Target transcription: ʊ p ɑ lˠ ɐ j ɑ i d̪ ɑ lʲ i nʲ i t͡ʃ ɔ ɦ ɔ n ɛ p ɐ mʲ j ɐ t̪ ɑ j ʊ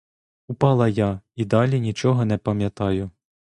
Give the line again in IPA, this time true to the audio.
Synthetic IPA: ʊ p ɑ lˠ ɐ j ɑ i d̪ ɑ lʲ i nʲ i t͡ʃ ɔ ɦ ɔ n ɛ p ɐ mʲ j ɐ t̪ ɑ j ʊ